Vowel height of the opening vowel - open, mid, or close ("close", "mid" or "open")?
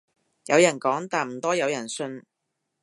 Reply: open